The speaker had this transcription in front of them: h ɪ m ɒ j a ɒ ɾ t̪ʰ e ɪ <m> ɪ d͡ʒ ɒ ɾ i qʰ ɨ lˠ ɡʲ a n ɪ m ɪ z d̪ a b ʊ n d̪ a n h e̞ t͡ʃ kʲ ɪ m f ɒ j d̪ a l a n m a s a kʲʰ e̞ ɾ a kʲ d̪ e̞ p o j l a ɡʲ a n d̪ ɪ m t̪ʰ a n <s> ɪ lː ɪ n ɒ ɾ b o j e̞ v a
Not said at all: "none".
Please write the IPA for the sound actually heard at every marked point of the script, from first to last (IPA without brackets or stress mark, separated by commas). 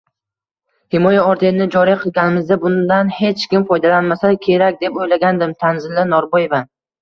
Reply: n, z